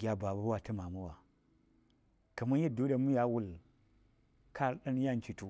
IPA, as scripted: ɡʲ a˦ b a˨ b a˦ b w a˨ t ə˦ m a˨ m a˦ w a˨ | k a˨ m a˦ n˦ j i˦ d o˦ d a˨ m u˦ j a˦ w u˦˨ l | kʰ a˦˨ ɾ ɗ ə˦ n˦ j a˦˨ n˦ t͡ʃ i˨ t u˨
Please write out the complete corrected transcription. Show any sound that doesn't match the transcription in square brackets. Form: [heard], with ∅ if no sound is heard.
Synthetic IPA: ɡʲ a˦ b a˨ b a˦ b w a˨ t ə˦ m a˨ m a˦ w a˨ | k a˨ m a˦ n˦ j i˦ d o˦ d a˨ m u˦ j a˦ w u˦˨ l | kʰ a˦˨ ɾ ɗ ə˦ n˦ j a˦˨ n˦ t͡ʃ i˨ t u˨